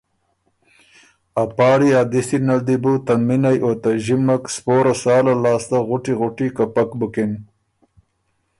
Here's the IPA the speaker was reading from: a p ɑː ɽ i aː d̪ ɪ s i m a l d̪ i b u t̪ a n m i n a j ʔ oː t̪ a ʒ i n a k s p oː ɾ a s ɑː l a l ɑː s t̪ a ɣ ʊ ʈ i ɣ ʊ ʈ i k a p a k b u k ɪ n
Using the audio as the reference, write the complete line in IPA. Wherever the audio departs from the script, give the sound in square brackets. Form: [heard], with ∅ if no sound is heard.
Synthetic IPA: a p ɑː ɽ i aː d̪ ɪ s i [n] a l d̪ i b u t̪ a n m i n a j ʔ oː t̪ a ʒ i [m] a k s p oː ɾ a s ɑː l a l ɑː s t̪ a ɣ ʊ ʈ i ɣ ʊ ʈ i k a p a k b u k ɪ n

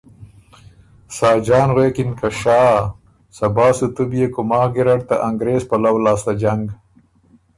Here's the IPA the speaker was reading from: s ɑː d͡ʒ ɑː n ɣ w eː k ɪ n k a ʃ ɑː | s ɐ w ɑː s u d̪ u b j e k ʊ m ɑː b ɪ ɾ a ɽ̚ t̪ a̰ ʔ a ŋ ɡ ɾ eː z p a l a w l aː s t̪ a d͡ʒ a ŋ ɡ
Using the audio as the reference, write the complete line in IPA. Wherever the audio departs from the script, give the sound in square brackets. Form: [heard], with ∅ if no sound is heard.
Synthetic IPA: s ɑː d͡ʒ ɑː n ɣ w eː k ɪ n k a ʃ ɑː | s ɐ [b] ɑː s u [t̪] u b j e k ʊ m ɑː [ɡ] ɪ ɾ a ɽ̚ t̪ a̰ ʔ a ŋ ɡ ɾ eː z p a l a w l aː s t̪ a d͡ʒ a ŋ ɡ

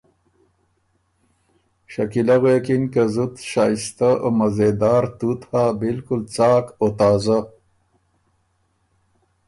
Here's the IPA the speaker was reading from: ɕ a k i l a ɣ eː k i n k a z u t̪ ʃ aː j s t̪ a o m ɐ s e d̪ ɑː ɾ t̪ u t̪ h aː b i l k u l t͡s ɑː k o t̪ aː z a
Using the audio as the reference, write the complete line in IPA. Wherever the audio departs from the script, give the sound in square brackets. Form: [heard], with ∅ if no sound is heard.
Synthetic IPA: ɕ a k i l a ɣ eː k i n k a z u t̪ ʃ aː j s t̪ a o m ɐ [z] e d̪ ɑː ɾ t̪ u t̪ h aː b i l k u l t͡s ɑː k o t̪ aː z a

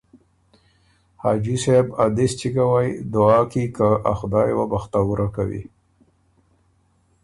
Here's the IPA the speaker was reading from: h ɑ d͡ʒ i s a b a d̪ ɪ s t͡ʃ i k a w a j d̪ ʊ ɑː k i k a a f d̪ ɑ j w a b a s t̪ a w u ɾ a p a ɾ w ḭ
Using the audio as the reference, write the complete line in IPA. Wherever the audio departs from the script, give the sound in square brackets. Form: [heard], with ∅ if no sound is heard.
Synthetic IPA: h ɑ d͡ʒ i s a b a d̪ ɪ s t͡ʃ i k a w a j d̪ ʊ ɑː k i k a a [x] d̪ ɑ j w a b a [x] t̪ a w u ɾ a [k] a [∅] w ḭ

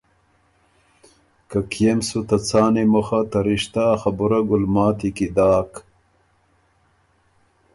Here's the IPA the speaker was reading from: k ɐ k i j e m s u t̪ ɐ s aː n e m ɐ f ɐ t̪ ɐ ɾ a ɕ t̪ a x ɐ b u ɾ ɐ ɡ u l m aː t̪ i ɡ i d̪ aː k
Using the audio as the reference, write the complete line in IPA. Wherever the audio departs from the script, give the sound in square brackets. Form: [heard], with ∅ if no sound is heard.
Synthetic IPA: k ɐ k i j e m s u t̪ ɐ [t͡s] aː n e m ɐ [x] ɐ t̪ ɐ ɾ [i] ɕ t̪ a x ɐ b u ɾ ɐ ɡ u l m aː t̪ i [k] i d̪ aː k

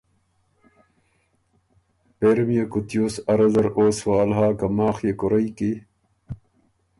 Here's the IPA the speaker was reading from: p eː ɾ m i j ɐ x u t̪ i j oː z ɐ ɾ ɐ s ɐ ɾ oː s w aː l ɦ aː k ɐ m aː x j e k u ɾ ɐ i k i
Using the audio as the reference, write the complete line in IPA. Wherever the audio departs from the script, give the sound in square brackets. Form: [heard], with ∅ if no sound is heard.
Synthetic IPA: p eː ɾ m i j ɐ [k] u t̪ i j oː [s] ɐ ɾ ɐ [z] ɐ ɾ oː s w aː l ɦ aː k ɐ m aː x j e k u ɾ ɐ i k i

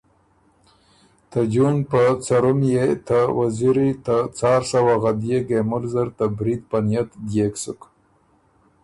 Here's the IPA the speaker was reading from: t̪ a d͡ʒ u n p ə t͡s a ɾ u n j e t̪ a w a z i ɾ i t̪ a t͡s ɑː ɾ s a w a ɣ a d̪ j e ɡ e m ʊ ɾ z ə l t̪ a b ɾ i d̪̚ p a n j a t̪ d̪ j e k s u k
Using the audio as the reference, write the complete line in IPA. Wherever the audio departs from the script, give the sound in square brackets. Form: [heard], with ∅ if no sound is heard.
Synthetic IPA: t̪ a d͡ʒ u n p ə t͡s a ɾ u [m] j e t̪ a w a z i ɾ i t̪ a t͡s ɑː ɾ s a w a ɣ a d̪ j e ɡ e m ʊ [l] z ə [ɾ] t̪ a b ɾ i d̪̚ p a n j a t̪ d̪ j e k s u k

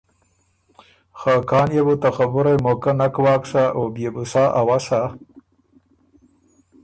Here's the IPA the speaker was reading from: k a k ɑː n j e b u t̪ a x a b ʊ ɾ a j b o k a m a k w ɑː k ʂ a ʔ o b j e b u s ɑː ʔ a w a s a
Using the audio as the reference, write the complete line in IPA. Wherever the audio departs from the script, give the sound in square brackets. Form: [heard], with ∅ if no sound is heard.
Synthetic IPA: [x] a k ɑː n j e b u t̪ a x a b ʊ ɾ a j [m] o k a [n] a k w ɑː k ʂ a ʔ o b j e b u s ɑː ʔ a w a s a

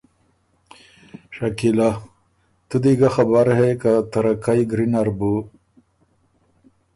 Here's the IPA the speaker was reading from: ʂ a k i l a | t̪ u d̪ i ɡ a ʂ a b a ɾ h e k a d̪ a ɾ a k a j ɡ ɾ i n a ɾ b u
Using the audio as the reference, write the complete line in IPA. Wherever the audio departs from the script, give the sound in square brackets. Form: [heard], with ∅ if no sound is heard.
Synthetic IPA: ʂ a k i l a | t̪ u d̪ i ɡ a [x] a b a ɾ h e k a [t̪] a ɾ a k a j ɡ ɾ i n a ɾ b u

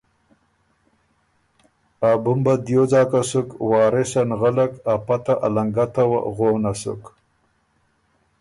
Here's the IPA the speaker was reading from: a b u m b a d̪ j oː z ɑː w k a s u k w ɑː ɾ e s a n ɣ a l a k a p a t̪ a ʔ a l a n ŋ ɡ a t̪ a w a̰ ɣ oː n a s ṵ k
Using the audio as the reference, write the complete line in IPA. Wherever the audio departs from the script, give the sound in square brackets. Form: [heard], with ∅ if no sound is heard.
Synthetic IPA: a b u m b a d̪ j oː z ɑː [∅] k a s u k w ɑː ɾ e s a n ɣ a l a k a p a t̪ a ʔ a l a [∅] ŋ ɡ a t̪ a w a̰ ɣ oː n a s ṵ k

